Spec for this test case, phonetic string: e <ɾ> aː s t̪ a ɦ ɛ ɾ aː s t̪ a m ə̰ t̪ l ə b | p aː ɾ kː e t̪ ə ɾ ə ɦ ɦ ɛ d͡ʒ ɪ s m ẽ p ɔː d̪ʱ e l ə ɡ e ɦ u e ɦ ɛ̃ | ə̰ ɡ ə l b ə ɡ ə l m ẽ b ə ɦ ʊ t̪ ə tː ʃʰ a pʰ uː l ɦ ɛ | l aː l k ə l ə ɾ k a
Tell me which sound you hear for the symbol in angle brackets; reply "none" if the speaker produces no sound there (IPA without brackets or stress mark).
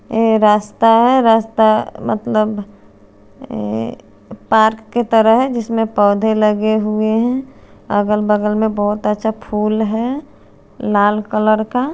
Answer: ɾ